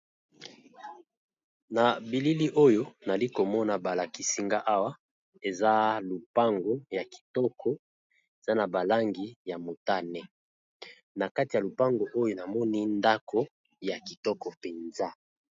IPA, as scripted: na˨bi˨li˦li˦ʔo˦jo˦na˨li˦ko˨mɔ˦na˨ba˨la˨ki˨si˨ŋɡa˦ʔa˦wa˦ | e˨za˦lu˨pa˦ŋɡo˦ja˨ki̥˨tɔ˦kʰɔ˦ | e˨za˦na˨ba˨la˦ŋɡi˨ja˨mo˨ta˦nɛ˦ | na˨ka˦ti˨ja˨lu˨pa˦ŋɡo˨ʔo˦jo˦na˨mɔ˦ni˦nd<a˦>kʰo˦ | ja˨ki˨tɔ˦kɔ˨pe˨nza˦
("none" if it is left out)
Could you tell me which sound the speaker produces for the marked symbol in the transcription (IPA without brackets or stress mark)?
a˦